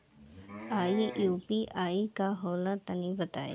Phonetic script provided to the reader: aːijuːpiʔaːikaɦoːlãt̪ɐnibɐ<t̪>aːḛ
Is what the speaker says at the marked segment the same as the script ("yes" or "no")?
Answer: yes